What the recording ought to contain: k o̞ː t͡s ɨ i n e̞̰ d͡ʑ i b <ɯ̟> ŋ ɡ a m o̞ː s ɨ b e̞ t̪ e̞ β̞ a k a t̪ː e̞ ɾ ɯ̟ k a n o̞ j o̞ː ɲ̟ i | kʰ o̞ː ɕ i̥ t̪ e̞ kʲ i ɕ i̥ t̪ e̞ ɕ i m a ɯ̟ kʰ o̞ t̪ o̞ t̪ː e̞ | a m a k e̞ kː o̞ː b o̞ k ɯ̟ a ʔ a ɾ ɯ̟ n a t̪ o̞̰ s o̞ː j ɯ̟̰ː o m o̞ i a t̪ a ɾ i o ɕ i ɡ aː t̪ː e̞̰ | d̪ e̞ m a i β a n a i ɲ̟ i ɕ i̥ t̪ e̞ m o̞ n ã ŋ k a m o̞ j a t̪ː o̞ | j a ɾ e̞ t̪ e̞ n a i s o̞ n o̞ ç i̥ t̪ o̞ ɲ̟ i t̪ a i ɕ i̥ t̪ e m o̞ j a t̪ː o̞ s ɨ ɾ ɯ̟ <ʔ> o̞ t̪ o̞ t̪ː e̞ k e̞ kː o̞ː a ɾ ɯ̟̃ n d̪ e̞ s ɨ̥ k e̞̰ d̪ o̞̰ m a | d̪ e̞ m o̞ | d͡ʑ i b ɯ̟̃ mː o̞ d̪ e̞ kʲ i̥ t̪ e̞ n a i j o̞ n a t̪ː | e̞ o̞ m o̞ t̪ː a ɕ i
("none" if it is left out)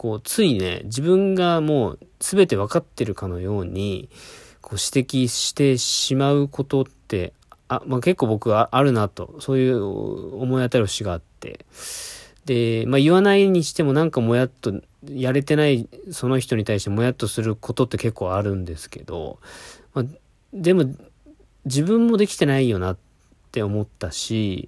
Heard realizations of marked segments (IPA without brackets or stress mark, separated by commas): ɯ̟̃, k